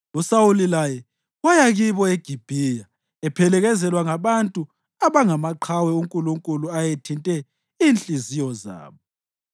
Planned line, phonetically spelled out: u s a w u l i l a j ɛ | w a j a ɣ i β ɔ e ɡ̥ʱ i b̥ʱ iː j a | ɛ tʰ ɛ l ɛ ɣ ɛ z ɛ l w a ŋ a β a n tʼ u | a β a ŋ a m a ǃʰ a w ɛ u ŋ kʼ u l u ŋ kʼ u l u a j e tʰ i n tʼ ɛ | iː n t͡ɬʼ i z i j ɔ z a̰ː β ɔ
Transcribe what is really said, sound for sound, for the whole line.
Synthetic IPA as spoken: u s a w u l i l a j ɛ | w a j a ɣ i β ɔ e ɡ̥ʱ i b̥ʱ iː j a | ɛ pʰ ɛ l ɛ ɣ ɛ z ɛ l w a ŋ a β a n tʼ u | a β a ŋ a m a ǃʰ a w ɛ u ŋ kʼ u l u ŋ kʼ u l u a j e tʰ i n tʼ ɛ | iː n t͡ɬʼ i z i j ɔ z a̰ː β ɔ

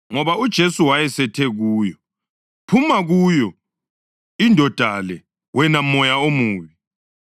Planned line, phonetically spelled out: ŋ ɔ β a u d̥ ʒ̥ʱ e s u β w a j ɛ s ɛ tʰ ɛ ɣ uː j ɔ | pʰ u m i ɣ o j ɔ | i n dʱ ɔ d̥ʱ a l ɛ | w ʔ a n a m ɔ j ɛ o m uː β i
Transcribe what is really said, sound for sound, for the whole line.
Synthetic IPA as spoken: ŋ ɔ β a u d̥ ʒ̥ʱ e s u w a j ɛ s ɛ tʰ ɛ ɣ uː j ɔ | pʰ u m a ɣ u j ɔ | i n dʱ ɔ d̥ʱ a l ɛ | w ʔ ɛ n a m ɔ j a o m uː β i

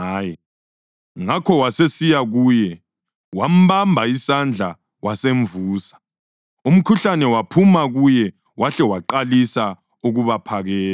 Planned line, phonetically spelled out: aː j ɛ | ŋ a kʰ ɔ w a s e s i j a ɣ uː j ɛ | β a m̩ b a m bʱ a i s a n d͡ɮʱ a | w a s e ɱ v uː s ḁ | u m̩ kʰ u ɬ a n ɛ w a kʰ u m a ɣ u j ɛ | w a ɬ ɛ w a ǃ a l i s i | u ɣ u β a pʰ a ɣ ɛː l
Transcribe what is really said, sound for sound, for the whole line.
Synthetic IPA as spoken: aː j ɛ | ŋ a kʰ ɔ w a s e s i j a ɣ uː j ɛ | w a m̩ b a m bʱ a i s a n d͡ɮʱ a | w a s e ɱ v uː s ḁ | u m̩ kʰ u ɬ a n ɛ w a pʰ u m a ɣ u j ɛ | w a ɬ ɛ w a ǃ a l i s a | u ɣ u β a pʰ a ɣ ɛː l

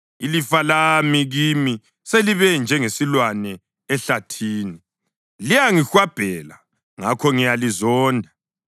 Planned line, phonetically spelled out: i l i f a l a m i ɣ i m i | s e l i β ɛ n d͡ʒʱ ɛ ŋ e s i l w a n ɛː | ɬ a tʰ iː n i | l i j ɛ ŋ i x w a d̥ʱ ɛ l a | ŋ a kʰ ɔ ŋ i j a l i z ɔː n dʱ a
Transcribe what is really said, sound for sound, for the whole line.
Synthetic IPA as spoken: i l i f a l a m i ɣ i m i | s e l i β ɛ n d͡ʒʱ ɛ ŋ e s i l w a n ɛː | ɬ a tʰ iː n i | l i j a ŋ i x w a b̥ʱ ɛ l a | ŋ a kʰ ɔ ŋ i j a l i z ɔː n dʱ a

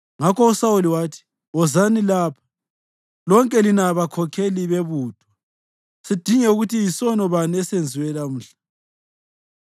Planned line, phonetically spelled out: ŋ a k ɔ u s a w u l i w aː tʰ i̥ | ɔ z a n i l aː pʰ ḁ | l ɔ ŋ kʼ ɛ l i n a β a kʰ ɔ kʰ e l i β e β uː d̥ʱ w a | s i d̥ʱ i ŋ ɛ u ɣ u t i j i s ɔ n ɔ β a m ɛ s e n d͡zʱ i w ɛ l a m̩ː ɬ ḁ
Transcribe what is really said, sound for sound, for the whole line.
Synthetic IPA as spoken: ŋ a k ɔ u s a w u l i w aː tʰ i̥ | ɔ z a n i l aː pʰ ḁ | l ɔ ŋ kʼ ɛ l i n a β a kʰ ɔ kʰ e l i β e β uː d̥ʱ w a | s i d̥ʱ i ŋ ɛ u ɣ u t i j i s ɔ n ɔ β a n ɛ s e n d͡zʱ i w ɛ l a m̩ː ɬ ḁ

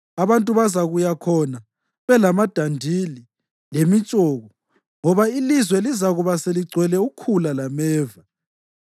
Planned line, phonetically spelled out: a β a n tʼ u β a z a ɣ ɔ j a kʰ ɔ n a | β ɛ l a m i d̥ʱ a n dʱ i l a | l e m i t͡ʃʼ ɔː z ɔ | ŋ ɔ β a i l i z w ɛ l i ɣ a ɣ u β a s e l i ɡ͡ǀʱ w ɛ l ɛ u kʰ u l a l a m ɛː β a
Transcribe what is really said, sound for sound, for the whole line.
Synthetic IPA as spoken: a β a n tʼ u β a z a ɣ u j a kʰ ɔ n a | β ɛ l a m a d̥ʱ a n dʱ i l i | l e m i t͡ʃʼ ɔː ɣ ɔ | ŋ ɔ β a i l i z w ɛ l i z a ɣ u β a s e l i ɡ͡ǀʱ w ɛ l ɛ u kʰ u l a l a m ɛː v a

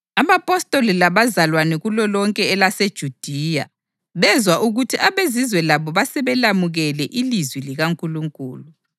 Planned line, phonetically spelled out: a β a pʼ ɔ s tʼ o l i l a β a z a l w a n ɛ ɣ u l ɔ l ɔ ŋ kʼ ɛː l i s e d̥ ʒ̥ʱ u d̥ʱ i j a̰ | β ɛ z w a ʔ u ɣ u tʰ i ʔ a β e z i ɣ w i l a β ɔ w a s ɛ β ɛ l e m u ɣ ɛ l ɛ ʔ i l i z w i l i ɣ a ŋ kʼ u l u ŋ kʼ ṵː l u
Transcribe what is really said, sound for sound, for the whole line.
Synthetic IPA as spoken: a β a pʼ ɔ s tʼ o l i l a β a z a l w a n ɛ ɣ u l ɔ l ɔ ŋ kʼ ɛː l a s e d̥ ʒ̥ʱ u d̥ʱ i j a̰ | β ɛ z w a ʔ u ɣ u tʰ i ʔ a β e z i z w ɛ l a β ɔ β a s ɛ β ɛ l a m u ɣ ɛ l ɛ ʔ i l i z w i l i ɣ a ŋ kʼ u l u ŋ kʼ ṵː l u

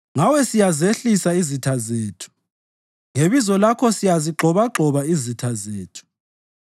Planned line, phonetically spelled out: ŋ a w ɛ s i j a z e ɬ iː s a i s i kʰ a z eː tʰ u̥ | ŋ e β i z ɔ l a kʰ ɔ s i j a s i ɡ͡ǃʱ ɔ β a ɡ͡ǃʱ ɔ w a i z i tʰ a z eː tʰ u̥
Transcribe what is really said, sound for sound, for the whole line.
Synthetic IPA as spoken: ŋ a w ɛ s i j a z e ɬ i s a i z i tʰ a z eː tʰ u̥ | ŋ e β i z ɔ l a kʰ ɔ s i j a z i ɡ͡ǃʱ ɔ β a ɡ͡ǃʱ ɔ β a i z i tʰ a z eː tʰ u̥

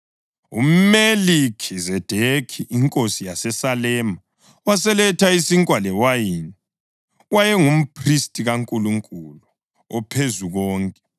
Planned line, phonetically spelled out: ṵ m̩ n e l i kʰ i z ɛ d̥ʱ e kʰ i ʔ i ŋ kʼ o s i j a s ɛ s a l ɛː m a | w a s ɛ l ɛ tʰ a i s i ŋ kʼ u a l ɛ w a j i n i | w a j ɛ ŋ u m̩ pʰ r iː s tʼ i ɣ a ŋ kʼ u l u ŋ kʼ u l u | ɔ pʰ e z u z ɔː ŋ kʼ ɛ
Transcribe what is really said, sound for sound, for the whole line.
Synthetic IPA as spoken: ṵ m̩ m e l i kʰ i z ɛ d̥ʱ e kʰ i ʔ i ŋ kʼ o s i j a s ɛ s a l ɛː m a | w a s ɛ l ɛ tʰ a i s i ŋ kʼ w a l ɛ w a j i n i | w a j ɛ ŋ u m̩ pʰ r i s tʼ i ɣ a ŋ kʼ u l u ŋ kʼ u l u | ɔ pʰ e z u ɣ ɔː ŋ kʼ ɛ

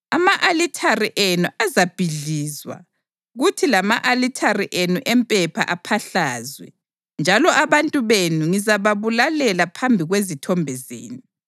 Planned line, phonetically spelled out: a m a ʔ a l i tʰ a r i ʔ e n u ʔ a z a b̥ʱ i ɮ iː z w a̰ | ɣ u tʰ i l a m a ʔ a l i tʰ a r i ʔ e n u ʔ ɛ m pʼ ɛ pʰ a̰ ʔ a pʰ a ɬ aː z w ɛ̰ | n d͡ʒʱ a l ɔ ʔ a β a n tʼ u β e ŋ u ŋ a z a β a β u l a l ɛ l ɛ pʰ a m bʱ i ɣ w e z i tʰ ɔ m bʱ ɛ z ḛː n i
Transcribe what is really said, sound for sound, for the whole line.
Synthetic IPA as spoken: a m a ʔ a l i tʰ a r i ʔ e n u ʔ a z a b̥ʱ i ɮ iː z w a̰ | ɣ u tʰ i l a m a ʔ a l i tʰ a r i ʔ e n u ʔ ɛ m pʼ ɛ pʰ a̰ ʔ a pʰ a ɬ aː z w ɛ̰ | n d͡ʒʱ a l ɔ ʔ a β a n tʼ u β e n u ŋ i z a β a β u l a l ɛ l a pʰ a m bʱ i ɣ w e z i tʰ ɔ m bʱ ɛ z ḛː n i

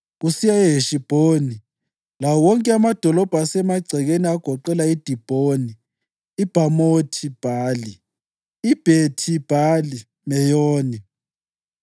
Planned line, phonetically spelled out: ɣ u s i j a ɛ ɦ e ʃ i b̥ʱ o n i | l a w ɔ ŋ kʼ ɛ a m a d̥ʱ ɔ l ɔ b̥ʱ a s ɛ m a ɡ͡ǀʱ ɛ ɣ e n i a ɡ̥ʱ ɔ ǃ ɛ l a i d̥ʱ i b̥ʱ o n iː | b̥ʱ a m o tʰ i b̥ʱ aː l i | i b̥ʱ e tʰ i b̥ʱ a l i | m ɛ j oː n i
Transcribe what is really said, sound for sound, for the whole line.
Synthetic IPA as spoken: ɣ u s i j a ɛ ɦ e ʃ i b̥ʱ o n i | l a w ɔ ŋ kʼ ɛ a m a d̥ʱ ɔ l ɔ b̥ʱ a s ɛ m a ɡ͡ǀʱ ɛ ɣ e n i a ɡ̥ʱ ɔ ǃ ɛ l a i d̥ʱ i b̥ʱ o n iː | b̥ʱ a m o tʰ i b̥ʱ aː l i | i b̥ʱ e tʰ i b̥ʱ a l i | m ɛ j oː n i

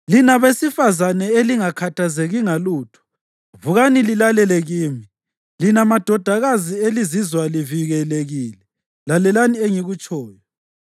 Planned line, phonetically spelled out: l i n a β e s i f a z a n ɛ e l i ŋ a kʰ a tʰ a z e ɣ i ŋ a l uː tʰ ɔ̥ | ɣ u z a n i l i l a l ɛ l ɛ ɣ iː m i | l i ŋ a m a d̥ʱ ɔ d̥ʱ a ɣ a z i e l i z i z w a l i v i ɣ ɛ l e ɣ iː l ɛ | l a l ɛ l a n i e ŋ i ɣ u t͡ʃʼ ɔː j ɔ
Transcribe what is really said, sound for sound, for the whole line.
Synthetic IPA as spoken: l i n a β e s i f a z a n ɛ e l i ŋ a kʰ a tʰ a z e ɣ i ŋ a l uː tʰ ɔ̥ | v u ɣ a n i l i l a l ɛ l ɛ ɣ iː m i | l i n a m a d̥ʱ ɔ d̥ʱ a ɣ a z i e l i z i z w a l i v i ɣ ɛ l e ɣ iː l ɛ | l a l ɛ l a n i e ŋ i ɣ u t͡ʃʼ ɔː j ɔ

